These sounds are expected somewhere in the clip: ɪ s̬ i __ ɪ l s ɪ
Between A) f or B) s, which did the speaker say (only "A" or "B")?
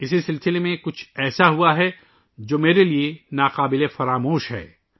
B